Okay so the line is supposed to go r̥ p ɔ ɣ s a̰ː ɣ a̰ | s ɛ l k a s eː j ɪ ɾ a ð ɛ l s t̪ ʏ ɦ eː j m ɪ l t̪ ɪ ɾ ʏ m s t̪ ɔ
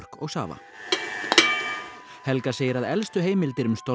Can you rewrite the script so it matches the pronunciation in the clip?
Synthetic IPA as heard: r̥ k ɔ ɣ s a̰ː v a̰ | h ɛ l k a s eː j ɪ ɾ a ð ɛ l s t̪ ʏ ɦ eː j m ɪ l t̪ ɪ ɾ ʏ m s t̪ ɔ